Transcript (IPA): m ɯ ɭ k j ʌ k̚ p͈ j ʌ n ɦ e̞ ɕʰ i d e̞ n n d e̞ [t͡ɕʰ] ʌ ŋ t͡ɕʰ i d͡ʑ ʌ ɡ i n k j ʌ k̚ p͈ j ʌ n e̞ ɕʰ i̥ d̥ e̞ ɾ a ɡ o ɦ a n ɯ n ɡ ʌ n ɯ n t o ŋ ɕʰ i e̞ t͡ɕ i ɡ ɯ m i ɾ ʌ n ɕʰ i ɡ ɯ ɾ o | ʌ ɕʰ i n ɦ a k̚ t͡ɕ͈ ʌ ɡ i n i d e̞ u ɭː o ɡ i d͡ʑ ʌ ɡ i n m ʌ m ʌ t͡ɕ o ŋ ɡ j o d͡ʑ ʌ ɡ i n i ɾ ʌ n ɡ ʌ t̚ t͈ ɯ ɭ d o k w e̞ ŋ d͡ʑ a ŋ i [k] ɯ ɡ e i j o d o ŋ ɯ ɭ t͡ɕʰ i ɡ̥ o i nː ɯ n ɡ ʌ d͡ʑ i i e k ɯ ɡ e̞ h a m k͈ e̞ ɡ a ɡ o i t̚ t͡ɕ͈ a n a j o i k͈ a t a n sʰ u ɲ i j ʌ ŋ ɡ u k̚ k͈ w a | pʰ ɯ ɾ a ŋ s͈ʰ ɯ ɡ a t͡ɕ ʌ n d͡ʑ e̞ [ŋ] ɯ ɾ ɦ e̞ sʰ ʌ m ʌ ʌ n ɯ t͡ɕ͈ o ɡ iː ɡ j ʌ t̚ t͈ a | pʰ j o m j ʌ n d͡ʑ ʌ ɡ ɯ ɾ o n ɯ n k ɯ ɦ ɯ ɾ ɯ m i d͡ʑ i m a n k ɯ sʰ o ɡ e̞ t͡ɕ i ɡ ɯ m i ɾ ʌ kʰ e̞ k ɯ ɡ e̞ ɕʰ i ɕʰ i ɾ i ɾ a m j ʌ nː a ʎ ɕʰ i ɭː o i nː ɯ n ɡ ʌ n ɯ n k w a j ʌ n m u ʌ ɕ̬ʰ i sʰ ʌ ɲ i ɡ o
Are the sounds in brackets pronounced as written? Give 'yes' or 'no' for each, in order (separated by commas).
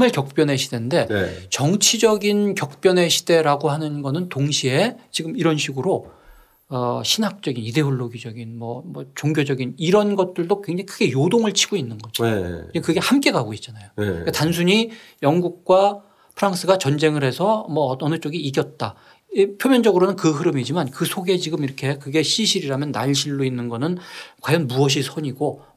no, no, yes